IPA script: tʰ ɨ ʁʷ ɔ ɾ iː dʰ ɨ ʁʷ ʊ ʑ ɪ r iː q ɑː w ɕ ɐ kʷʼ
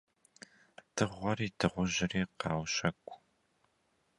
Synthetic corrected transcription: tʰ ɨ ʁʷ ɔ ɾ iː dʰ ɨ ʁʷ ʊ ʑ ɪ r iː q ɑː w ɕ ɐ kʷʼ